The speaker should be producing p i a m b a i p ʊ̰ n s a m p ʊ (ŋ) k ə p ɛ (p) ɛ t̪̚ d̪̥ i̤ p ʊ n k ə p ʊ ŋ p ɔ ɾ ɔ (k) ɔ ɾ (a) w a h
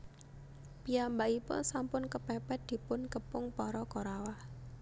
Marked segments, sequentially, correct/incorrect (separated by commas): incorrect, correct, correct, correct